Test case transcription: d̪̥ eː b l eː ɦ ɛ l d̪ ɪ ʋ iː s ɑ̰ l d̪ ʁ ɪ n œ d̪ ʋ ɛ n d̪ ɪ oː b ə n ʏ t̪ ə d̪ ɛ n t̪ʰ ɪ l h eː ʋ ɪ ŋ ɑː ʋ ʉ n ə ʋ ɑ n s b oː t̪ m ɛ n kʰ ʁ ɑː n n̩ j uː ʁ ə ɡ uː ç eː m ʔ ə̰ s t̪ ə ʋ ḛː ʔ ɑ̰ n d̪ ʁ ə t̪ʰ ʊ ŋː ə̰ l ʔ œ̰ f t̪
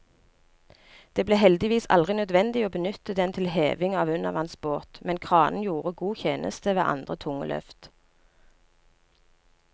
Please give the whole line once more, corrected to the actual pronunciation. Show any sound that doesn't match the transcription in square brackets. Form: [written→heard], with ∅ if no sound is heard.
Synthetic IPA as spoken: d̪̥ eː b l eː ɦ ɛ l d̪ ɪ ʋ iː s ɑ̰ l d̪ ʁ ɪ n œ d̪ ʋ ɛ n d̪ ɪ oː b ə n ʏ t̪ ə d̪ ɛ n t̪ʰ ɪ l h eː ʋ ɪ ŋ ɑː ʋ ʉ n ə ʋ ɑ n s b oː t̪ m ɛ n kʰ ʁ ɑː n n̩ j uː ʁ ə ɡ uː ç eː [m→n] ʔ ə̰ s t̪ ə ʋ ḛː ʔ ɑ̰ n d̪ ʁ ə t̪ʰ ʊ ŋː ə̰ l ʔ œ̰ f t̪